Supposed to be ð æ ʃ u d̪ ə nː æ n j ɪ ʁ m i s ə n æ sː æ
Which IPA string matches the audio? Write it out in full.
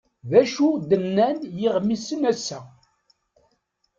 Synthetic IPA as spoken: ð æ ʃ u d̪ ə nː æ n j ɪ ʁ m i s ə n æ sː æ